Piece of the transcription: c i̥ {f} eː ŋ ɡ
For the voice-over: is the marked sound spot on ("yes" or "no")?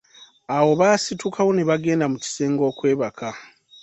no